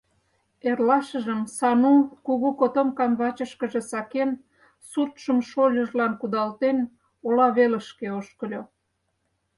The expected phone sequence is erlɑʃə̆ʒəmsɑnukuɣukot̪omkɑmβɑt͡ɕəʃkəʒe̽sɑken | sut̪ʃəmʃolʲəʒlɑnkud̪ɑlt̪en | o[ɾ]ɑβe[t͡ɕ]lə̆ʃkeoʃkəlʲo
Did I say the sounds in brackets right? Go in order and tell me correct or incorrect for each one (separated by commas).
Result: incorrect, incorrect